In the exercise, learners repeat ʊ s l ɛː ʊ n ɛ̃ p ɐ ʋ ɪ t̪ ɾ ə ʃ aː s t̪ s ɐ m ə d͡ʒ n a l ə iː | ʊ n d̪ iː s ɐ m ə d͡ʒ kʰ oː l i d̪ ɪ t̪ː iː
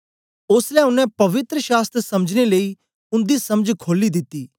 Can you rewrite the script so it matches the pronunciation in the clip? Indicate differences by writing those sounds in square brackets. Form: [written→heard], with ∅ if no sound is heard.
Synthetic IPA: ʊ s l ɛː ʊ n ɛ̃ p ɐ ʋ ɪ t̪ ɾ ə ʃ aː s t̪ s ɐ m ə d͡ʒ n [a→e] l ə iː | ʊ n d̪ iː s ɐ m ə d͡ʒ kʰ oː l i d̪ ɪ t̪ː iː